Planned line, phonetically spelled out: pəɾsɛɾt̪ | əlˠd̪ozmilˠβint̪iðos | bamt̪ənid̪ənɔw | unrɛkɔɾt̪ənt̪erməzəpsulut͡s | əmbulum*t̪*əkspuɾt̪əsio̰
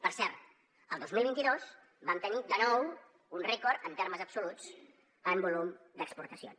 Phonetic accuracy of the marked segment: incorrect: d̪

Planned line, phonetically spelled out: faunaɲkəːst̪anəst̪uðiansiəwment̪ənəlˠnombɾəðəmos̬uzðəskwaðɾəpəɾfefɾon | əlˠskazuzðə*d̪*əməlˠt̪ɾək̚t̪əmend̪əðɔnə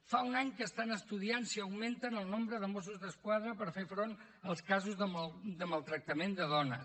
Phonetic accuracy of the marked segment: correct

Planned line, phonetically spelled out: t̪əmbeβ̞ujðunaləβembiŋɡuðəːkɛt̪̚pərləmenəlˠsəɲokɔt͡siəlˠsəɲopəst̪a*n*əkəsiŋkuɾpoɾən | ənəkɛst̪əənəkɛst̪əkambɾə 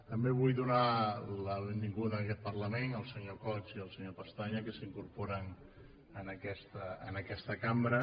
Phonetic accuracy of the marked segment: incorrect: ɲ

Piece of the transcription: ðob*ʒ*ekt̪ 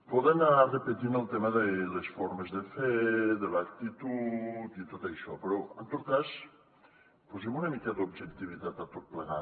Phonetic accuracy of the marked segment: correct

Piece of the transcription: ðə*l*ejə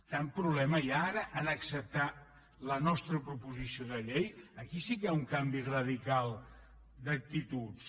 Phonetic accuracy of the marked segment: incorrect: ʎ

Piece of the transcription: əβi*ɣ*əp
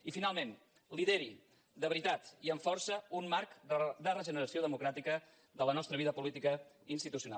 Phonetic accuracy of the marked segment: incorrect: ð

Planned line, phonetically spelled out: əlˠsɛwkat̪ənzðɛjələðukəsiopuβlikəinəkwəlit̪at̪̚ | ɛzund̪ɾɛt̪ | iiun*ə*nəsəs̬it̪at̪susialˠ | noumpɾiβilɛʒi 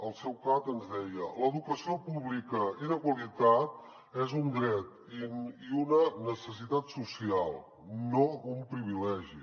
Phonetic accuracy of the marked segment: correct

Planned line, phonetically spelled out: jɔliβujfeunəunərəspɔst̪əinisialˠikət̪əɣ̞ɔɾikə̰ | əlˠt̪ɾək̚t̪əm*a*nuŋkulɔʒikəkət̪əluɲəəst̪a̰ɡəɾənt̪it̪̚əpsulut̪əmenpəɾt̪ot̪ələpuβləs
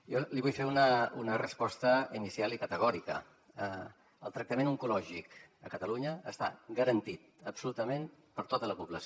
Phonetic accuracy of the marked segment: incorrect: e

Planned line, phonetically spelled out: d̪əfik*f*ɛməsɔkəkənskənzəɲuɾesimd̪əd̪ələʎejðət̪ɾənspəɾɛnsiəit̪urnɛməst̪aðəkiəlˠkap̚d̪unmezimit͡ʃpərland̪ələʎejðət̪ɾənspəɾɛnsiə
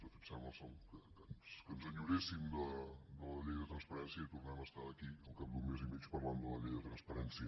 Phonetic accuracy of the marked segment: incorrect: s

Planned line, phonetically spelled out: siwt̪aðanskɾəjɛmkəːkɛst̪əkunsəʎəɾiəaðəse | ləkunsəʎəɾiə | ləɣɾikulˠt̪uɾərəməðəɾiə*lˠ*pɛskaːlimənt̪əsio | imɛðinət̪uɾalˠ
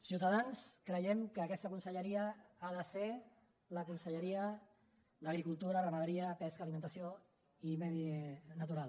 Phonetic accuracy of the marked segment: incorrect: none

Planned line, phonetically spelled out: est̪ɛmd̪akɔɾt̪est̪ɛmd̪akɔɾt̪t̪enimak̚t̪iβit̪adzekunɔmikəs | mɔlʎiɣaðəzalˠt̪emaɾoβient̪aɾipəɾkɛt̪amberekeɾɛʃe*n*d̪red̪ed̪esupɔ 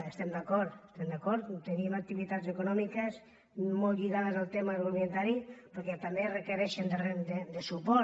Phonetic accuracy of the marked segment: correct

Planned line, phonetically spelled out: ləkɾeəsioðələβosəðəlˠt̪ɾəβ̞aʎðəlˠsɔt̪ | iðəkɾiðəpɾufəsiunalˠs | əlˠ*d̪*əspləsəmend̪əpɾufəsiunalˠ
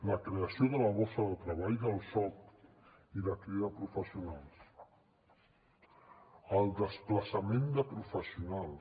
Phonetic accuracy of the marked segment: correct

